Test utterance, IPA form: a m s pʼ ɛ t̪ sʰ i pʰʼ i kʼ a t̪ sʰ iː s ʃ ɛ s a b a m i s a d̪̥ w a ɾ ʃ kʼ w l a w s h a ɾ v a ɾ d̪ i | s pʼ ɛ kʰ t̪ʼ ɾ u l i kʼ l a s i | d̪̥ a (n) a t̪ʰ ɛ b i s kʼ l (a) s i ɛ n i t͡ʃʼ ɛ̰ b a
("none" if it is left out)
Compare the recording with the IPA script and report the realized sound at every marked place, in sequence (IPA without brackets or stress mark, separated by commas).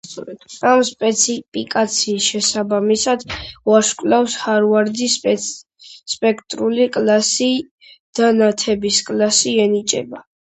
n, a